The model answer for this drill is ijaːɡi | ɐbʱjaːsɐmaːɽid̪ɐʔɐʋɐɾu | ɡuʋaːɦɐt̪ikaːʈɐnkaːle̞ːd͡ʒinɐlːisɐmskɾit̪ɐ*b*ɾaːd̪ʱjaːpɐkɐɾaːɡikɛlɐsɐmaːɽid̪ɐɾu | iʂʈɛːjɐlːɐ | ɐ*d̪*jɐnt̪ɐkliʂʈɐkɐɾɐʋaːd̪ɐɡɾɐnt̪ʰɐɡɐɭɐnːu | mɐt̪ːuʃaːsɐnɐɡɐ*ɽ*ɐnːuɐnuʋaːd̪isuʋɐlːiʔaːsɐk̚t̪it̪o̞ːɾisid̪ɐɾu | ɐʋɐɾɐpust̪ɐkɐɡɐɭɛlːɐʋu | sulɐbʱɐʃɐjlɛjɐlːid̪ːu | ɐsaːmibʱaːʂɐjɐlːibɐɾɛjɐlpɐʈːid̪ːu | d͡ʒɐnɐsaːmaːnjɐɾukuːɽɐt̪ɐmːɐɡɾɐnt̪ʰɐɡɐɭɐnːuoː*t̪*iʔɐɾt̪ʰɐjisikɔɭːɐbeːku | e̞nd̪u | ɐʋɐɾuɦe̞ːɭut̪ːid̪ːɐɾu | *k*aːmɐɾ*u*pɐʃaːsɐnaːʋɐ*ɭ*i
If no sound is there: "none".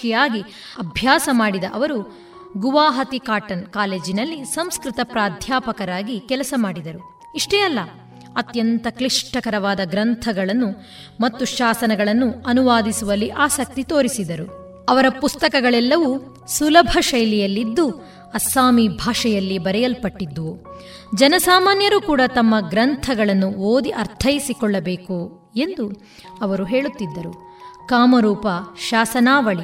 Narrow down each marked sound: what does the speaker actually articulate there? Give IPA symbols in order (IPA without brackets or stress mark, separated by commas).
p, t̪, ɭ, d̪, k, uː, ɭ